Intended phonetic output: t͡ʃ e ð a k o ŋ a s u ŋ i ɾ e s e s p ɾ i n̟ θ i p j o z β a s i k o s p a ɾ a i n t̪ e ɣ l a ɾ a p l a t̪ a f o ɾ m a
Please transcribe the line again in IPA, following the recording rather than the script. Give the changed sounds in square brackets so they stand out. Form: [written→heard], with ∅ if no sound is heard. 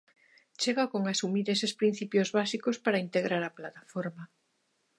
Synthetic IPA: t͡ʃ e [ð→ɣ] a k o ŋ a s u [ŋ→m] i ɾ e s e s p ɾ i n̟ θ i p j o z β a s i k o s p a ɾ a i n t̪ e ɣ [l→ɾ] a ɾ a p l a t̪ a f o ɾ m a